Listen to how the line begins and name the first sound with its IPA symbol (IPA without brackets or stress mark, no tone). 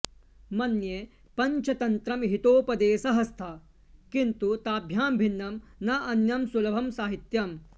m